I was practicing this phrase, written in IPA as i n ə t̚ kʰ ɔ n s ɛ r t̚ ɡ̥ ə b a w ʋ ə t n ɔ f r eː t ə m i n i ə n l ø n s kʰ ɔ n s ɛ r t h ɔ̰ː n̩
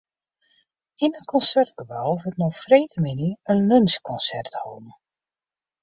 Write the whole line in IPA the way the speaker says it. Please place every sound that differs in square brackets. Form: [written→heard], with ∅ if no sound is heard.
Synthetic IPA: i n ə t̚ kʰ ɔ n s ɛ r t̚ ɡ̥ ə b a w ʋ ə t n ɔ f r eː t ə m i n i ə n l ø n s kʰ ɔ n s ɛ r t h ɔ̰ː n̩